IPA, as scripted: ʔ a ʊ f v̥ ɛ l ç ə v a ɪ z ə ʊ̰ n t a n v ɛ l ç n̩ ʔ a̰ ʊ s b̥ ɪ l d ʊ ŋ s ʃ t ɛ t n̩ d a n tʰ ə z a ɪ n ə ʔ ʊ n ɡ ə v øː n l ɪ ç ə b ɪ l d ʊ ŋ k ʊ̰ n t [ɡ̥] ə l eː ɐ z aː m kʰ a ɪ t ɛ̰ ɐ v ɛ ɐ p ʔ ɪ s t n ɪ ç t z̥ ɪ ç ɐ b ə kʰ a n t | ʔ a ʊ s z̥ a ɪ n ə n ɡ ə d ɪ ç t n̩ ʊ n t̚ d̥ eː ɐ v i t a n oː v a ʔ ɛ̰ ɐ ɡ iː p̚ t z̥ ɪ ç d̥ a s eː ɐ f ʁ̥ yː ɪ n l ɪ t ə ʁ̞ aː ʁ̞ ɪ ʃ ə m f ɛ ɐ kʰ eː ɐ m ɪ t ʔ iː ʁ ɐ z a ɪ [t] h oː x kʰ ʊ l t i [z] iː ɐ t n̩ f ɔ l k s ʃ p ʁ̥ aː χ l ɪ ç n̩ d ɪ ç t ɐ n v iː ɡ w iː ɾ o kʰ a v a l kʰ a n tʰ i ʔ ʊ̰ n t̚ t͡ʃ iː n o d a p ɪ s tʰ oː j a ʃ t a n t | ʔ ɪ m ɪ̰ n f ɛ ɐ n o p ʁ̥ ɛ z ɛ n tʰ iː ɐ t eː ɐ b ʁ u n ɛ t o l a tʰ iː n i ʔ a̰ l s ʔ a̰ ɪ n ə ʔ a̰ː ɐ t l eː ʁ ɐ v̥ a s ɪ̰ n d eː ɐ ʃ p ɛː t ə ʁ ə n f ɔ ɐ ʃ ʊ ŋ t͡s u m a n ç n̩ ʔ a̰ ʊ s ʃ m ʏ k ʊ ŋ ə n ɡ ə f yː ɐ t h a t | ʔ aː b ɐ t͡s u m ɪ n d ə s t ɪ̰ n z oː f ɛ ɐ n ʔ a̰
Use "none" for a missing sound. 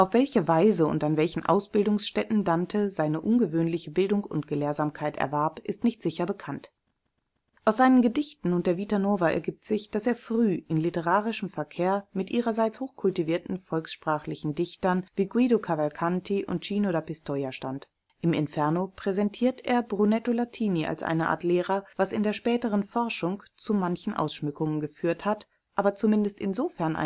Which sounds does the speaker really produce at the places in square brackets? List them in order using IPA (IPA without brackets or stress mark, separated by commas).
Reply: ɡ̥, t͡s, v